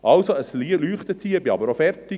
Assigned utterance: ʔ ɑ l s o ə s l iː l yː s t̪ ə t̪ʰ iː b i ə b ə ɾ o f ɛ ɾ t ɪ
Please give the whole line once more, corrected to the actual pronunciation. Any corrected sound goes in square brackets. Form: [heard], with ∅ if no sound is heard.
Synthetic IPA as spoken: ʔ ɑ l s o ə s l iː l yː [χ] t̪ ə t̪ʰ iː b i [ɑ] b ə ɾ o f ɛ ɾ t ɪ